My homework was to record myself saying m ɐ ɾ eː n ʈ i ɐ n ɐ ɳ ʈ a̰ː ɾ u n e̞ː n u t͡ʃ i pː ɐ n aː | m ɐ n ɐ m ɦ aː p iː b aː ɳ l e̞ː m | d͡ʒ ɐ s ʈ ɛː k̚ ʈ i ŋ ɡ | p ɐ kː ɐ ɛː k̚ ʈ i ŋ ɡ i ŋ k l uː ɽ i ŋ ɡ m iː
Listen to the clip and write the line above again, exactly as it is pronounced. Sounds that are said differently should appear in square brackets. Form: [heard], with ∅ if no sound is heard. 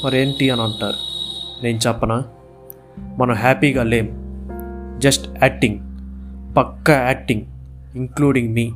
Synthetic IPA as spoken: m ɐ ɾ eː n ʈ i ɐ n ɐ ɳ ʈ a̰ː ɾ u n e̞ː n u t͡ʃ [ɛ] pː ɐ n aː | m ɐ n ɐ m ɦ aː p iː [ɡ] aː [∅] l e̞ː m | d͡ʒ ɐ s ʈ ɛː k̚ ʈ i ŋ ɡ | p ɐ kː ɐ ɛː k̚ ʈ i ŋ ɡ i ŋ k l uː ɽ i ŋ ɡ m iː